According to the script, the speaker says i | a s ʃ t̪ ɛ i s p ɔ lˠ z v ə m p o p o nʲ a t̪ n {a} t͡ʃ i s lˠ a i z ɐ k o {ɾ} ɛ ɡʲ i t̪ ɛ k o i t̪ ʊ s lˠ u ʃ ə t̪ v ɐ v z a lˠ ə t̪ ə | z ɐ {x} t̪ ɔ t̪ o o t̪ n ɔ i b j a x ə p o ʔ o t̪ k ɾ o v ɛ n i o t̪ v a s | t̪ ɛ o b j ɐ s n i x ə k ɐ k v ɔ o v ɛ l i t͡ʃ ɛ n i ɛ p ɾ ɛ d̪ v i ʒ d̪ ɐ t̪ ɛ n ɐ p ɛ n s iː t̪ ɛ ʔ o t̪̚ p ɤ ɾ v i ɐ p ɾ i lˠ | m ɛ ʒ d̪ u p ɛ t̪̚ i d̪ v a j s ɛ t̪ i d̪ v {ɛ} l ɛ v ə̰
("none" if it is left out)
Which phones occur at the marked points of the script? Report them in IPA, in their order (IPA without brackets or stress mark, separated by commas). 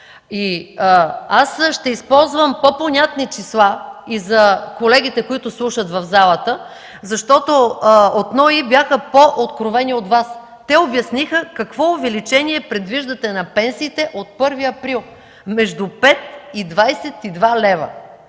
i, l, ʃ, a